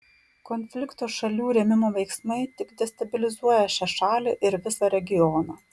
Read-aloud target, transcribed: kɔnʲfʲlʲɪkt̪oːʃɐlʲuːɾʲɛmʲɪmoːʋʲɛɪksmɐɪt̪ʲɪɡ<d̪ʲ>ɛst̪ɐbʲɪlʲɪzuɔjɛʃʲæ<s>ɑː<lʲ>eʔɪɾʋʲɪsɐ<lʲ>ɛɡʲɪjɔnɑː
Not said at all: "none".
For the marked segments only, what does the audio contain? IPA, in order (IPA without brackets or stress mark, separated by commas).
d̪ʲ, ʃ, lʲ, ɾʲ